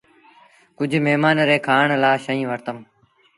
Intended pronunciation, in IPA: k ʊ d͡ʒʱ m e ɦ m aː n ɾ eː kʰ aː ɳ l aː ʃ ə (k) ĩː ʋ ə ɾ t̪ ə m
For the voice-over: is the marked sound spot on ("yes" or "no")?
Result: no